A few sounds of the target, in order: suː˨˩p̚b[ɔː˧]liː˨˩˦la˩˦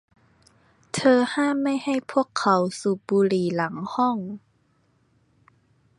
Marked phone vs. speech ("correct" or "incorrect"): incorrect